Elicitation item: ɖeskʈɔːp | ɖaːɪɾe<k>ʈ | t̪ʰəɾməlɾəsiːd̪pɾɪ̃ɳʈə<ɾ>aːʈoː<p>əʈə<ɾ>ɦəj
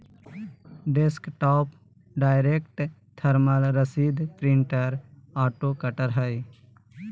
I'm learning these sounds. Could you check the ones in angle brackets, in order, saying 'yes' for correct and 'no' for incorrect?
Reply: yes, yes, no, yes

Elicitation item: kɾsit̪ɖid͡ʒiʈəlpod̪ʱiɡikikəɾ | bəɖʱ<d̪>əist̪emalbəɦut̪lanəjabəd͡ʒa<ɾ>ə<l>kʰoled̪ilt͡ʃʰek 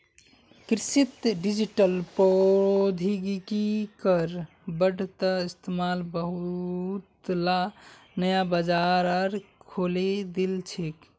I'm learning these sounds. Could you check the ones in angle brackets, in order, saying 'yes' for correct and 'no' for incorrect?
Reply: no, yes, no

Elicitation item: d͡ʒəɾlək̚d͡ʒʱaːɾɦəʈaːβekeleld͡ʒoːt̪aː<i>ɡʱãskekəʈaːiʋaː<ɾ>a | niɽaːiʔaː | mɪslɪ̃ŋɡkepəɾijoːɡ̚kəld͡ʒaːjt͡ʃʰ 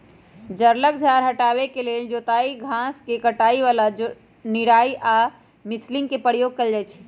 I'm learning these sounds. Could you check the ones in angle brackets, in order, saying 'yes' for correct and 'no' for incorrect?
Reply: yes, no

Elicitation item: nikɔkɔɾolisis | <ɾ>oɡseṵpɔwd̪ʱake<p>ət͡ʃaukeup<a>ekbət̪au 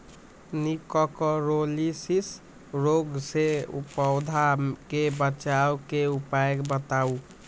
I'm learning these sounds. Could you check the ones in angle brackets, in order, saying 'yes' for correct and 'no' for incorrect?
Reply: yes, no, yes

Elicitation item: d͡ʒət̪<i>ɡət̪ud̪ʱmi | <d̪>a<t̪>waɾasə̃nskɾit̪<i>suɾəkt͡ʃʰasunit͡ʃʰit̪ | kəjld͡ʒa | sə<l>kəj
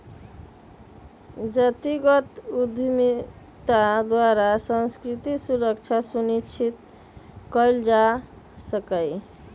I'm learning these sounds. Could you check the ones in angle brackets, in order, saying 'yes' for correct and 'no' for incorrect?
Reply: yes, no, no, yes, no

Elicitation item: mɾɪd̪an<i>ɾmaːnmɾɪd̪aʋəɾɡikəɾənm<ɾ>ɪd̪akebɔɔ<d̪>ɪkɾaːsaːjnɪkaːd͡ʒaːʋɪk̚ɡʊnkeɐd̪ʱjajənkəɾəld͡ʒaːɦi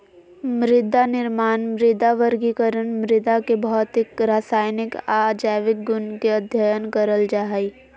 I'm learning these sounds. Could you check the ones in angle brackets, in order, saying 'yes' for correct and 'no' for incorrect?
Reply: no, yes, no

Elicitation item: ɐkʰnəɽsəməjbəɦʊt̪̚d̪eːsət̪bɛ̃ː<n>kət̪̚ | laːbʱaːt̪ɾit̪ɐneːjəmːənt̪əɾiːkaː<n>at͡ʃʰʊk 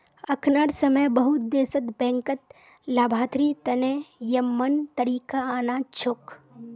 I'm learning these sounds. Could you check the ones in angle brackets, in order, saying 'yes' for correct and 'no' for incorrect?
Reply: no, yes

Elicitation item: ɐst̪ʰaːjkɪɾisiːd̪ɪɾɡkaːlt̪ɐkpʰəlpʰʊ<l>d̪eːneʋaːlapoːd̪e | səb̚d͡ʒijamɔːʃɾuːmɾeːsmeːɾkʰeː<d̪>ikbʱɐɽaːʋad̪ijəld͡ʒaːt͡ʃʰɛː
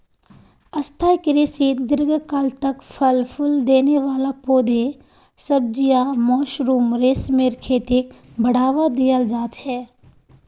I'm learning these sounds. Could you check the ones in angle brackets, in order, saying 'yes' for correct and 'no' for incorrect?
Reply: yes, no

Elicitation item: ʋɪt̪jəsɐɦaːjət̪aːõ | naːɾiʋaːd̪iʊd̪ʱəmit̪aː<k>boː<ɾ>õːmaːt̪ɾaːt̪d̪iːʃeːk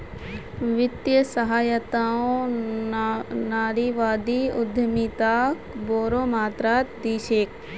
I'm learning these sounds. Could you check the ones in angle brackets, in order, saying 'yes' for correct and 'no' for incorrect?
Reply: yes, yes

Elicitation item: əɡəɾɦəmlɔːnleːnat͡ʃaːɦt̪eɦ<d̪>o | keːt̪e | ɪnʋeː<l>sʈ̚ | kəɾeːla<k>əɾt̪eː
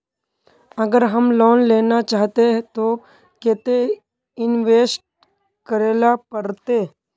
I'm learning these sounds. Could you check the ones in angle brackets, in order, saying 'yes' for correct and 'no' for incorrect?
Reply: no, no, no

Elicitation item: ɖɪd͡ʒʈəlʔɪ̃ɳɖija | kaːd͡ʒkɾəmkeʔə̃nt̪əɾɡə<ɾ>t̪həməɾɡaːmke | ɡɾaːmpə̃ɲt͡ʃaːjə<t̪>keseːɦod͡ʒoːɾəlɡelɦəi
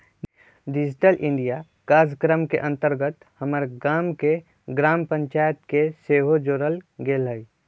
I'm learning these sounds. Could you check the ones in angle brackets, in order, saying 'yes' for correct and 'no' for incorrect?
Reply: no, yes

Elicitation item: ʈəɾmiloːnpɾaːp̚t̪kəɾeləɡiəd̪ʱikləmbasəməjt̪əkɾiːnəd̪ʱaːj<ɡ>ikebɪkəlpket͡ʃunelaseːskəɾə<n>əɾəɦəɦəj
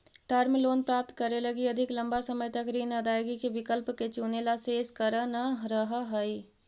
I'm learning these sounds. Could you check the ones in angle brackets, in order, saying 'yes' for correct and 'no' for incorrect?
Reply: yes, yes

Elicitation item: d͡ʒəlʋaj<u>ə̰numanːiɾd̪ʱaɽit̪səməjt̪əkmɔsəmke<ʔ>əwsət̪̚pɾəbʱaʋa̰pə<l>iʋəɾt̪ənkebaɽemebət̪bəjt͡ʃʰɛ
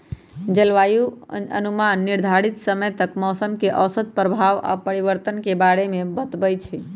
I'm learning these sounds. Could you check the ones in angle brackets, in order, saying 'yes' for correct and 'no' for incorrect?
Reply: yes, yes, no

